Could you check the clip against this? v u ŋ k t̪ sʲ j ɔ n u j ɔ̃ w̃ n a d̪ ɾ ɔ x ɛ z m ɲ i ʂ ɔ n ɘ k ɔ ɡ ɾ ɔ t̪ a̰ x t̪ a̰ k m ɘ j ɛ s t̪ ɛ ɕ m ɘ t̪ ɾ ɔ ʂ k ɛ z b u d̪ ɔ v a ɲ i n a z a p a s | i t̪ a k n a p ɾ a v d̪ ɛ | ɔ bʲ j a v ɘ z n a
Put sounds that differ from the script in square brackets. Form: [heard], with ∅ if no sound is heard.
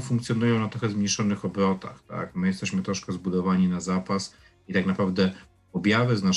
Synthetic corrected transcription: [f] u ŋ k t̪ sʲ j ɔ n u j ɔ̃ w̃ n a [t̪] ɾ ɔ x ɛ z m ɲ i ʂ ɔ n ɘ [x] ɔ [b] ɾ ɔ t̪ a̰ x t̪ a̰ k m ɘ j ɛ s t̪ ɛ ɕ m ɘ t̪ ɾ ɔ ʂ k ɛ z b u d̪ ɔ v a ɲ i n a z a p a s | i t̪ a k n a p ɾ a v d̪ ɛ | ɔ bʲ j a v ɘ z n a